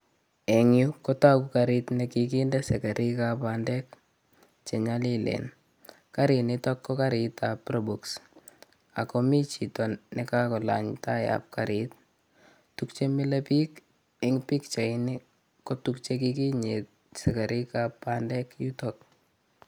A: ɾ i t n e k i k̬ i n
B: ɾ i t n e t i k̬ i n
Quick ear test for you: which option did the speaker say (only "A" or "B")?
A